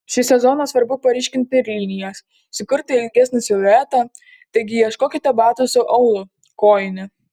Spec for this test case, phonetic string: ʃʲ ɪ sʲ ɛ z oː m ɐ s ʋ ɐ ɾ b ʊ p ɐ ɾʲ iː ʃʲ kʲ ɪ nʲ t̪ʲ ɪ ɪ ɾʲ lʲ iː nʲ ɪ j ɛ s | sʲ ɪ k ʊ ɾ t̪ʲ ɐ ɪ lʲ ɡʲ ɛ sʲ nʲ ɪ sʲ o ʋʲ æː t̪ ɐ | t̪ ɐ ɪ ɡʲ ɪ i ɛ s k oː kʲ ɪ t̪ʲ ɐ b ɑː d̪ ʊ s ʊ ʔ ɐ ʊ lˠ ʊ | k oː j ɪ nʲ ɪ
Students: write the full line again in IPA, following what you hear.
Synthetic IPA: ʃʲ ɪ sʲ ɛ z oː n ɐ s ʋ ɐ ɾ b ʊ p ɐ ɾʲ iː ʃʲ kʲ ɪ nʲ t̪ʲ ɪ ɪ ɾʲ lʲ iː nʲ ɪ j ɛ s | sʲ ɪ k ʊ ɾ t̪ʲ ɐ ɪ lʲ ɡʲ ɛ sʲ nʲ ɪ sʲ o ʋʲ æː t̪ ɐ | t̪ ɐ ɪ ɡʲ ɪ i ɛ ʃ k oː kʲ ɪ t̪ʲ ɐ b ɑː t̪ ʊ s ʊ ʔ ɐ ʊ lˠ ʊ | k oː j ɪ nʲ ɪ